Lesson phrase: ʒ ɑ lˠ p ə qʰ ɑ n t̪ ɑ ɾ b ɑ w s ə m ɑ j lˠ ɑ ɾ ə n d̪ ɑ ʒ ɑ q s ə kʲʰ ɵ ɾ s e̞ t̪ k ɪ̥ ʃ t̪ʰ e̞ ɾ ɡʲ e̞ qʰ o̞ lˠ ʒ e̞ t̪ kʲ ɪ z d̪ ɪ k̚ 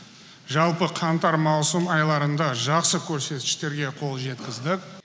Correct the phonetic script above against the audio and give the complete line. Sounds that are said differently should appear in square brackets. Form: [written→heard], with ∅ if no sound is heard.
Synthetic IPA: ʒ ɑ lˠ p ə qʰ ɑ n t̪ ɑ ɾ [b→m] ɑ w s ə m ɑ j lˠ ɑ ɾ ə n d̪ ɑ ʒ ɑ q s ə kʲʰ ɵ ɾ s e̞ t̪ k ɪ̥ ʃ [t̪ʰ→t̪] e̞ ɾ ɡʲ e̞ qʰ o̞ lˠ ʒ e̞ t̪ kʲ ɪ z d̪ ɪ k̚